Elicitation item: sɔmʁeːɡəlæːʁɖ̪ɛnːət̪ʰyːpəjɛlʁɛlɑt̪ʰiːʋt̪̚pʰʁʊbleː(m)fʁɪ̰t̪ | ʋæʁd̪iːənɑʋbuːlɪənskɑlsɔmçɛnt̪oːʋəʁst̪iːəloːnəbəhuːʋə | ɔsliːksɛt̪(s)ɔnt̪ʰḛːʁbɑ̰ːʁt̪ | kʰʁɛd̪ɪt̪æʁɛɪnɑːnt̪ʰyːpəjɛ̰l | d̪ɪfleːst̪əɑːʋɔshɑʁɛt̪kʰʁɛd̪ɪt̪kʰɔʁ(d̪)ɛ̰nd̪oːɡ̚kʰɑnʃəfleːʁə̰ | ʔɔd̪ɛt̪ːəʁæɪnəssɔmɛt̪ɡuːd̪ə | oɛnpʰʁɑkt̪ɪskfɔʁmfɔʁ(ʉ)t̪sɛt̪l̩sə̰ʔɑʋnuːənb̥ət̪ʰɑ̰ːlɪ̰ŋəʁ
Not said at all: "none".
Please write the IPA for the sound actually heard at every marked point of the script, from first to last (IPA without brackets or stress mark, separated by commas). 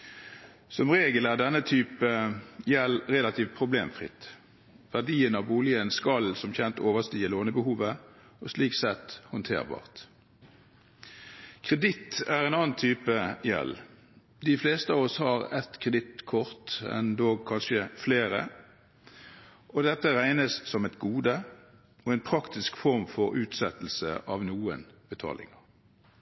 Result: m, h, t̪, ʉː